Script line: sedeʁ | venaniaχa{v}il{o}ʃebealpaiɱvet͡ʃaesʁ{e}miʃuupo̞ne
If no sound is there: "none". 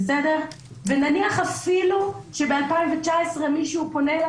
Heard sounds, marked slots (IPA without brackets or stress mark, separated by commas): f, u, e